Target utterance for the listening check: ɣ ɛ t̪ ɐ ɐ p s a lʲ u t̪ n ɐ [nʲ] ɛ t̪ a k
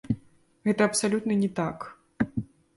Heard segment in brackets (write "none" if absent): nʲ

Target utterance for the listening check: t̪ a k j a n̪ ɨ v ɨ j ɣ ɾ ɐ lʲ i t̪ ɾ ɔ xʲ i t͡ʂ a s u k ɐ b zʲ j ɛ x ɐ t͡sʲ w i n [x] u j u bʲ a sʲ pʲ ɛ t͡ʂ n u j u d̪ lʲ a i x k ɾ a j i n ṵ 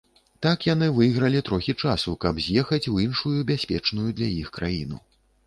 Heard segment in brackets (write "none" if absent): ʂ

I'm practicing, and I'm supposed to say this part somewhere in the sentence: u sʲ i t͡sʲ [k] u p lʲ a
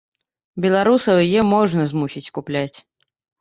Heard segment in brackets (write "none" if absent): k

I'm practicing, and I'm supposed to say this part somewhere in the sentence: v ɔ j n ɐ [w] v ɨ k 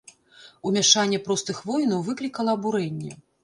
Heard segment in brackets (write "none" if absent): w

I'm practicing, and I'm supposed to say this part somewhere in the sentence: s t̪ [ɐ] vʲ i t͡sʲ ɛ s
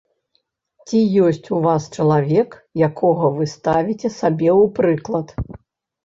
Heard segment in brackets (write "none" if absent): a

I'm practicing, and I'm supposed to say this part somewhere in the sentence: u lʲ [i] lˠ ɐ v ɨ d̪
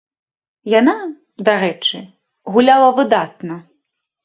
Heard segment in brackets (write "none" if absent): a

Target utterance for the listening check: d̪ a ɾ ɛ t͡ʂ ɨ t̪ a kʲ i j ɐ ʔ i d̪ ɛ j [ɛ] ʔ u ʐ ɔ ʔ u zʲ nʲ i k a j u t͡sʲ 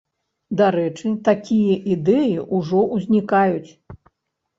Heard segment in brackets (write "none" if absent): i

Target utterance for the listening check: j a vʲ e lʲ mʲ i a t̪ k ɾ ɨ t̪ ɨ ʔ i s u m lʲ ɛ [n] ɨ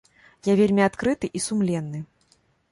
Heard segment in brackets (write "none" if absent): nː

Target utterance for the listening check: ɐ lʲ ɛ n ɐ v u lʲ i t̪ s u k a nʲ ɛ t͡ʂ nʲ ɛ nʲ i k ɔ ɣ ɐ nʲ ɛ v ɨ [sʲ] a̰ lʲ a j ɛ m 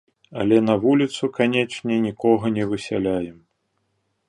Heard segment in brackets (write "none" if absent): sʲ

